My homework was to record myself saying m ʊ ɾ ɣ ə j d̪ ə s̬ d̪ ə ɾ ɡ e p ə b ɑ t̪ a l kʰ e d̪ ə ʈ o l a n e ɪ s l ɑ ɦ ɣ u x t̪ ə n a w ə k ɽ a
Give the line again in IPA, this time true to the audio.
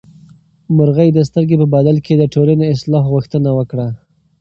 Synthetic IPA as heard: m ʊ ɾ ɣ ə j d̪ ə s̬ t̪ ə ɾ ɡ e p ə b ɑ d̪ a l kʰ e d̪ ə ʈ o l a n e ɪ s l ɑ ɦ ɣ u x t̪ ə n a w ə k ɽ a